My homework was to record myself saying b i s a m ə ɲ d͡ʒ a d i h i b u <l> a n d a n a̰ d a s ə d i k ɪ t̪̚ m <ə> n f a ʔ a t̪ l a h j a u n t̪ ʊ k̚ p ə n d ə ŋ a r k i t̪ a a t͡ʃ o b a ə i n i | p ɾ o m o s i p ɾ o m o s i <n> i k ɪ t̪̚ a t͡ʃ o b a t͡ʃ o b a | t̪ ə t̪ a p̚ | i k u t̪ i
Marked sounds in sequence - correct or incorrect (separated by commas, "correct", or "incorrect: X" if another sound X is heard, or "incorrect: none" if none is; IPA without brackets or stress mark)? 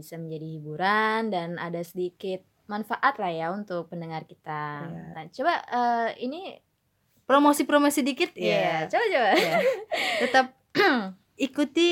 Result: incorrect: ɾ, incorrect: a, incorrect: d